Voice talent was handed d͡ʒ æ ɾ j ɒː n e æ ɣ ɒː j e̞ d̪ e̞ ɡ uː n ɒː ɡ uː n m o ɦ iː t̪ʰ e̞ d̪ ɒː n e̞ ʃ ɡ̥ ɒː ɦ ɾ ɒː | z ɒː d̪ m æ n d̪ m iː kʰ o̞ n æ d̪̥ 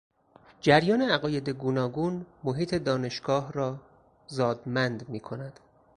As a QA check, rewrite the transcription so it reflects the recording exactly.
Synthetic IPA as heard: d͡ʒ æ ɾ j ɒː n e æ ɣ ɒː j e̞ d̪ e̞ ɡ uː n ɒː ɡ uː n m o ɦ iː t̪ʰ e̞ d̪ ɒː n e̞ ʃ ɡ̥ ɒː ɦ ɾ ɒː | z ɒː d̪ m æ n d̪ m iː kʰ o̞ n æ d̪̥